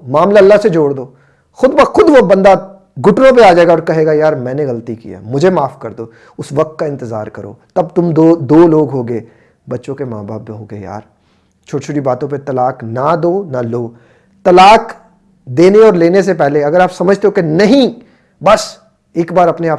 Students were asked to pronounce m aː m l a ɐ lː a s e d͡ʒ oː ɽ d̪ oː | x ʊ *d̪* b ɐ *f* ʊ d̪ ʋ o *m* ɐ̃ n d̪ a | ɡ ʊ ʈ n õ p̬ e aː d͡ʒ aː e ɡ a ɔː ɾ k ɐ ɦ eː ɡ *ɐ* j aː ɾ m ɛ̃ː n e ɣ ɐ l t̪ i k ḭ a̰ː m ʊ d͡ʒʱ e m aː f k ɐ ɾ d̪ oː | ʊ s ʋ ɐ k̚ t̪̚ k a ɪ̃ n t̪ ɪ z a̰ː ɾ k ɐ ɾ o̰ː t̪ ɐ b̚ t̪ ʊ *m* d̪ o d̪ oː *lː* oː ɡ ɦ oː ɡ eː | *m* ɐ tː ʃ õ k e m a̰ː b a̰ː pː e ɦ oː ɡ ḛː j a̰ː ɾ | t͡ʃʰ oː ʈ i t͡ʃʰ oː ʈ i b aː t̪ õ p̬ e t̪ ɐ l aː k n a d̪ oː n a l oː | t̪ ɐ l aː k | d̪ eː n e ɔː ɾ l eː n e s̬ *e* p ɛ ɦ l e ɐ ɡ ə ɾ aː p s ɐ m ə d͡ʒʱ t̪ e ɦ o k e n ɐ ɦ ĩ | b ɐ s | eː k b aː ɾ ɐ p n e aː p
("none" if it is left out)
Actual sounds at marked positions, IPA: d̪, x, b, a, m, l, b, e

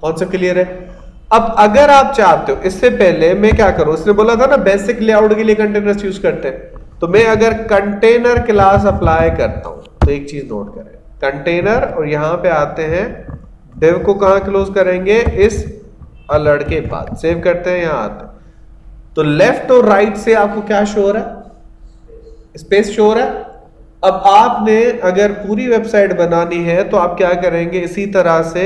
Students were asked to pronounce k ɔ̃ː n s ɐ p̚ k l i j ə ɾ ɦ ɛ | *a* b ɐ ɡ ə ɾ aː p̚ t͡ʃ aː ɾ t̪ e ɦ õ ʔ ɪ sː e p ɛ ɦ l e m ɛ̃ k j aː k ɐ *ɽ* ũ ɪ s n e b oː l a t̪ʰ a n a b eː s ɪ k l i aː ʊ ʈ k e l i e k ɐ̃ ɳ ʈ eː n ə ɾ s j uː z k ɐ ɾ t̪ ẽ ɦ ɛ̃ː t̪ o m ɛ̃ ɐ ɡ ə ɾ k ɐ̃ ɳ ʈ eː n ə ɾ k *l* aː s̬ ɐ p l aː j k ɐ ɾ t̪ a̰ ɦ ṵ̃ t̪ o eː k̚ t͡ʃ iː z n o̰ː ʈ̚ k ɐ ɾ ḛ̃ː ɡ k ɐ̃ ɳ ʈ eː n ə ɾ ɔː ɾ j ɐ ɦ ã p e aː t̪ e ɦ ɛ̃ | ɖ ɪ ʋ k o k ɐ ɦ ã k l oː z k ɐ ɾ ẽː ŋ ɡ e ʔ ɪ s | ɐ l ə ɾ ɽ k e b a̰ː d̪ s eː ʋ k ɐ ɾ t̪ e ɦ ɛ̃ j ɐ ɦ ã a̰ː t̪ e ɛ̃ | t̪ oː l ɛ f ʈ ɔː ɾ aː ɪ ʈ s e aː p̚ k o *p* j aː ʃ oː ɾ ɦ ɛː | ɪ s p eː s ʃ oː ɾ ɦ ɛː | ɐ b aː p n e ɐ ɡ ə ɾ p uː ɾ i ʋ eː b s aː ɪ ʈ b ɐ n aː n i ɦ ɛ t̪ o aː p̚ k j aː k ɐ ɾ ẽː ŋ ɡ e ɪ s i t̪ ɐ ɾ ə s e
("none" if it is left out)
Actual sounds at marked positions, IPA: ɐ, ɾ, l, k

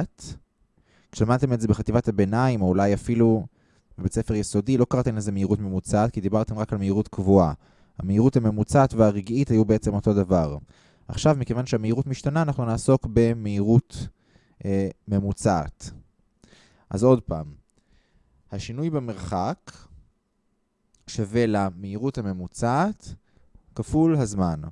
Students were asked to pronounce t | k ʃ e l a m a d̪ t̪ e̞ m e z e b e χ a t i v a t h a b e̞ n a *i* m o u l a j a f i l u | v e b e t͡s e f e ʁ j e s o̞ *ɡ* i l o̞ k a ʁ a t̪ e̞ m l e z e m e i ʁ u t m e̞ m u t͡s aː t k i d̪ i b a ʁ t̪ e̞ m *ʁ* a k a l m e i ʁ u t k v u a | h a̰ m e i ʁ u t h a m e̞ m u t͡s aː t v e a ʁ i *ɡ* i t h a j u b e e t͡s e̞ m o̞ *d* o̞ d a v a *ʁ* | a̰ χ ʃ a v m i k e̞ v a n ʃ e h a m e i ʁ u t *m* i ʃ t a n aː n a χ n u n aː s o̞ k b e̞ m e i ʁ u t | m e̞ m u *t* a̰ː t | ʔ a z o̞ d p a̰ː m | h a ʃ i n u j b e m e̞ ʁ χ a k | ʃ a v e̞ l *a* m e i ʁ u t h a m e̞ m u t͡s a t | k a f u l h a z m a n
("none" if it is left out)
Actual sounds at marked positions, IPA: i, d, ʁ, ɡ, t, ʁ, m, t͡s, a

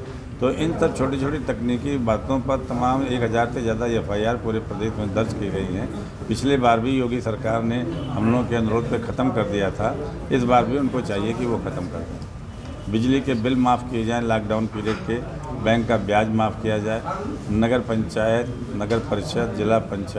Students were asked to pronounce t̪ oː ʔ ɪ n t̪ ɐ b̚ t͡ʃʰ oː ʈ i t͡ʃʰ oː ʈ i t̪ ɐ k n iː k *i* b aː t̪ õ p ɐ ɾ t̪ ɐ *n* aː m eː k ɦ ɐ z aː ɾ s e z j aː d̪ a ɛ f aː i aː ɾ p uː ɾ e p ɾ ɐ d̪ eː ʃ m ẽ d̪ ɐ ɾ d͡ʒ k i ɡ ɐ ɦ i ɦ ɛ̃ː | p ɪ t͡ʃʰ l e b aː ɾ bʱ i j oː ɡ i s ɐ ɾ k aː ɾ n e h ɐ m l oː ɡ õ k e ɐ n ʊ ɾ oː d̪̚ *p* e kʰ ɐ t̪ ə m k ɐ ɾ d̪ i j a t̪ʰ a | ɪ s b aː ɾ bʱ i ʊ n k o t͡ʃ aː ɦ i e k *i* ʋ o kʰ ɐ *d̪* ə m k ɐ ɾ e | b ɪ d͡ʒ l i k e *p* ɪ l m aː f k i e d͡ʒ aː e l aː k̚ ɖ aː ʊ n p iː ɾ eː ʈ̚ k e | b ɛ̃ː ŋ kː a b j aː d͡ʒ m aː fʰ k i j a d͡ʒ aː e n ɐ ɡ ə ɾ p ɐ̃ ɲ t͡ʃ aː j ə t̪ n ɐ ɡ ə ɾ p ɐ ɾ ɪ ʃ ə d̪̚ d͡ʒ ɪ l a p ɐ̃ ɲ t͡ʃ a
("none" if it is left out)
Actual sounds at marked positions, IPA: i, m, p, i, t̪, b

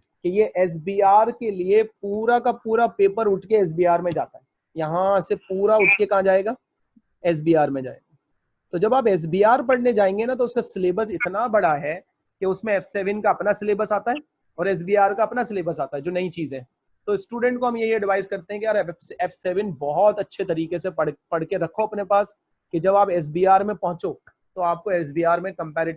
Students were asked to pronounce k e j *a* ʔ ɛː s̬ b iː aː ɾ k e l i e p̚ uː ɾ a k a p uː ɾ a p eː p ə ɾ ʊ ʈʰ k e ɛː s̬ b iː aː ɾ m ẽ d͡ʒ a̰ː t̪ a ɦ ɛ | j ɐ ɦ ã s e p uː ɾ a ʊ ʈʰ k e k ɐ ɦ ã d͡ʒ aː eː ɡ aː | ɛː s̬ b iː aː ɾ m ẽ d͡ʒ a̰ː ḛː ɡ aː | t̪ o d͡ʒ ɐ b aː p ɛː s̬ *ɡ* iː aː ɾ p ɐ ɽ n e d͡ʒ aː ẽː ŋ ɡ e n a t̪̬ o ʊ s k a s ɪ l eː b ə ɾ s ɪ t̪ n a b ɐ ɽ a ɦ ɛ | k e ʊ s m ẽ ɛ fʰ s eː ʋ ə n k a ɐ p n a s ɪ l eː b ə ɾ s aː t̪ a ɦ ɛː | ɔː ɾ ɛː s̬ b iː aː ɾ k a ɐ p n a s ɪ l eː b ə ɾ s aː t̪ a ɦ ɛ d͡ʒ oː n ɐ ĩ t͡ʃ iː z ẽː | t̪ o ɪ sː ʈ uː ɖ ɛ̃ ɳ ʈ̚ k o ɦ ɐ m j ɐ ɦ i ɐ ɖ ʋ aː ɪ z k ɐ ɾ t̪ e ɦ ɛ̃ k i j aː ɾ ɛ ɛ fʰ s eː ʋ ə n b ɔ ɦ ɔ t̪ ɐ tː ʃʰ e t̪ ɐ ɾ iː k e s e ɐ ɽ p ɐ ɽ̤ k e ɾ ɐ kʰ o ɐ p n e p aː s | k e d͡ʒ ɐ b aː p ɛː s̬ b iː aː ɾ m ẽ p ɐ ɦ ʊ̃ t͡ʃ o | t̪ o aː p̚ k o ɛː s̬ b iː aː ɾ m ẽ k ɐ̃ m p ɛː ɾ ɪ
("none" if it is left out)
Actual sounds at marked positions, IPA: e, b

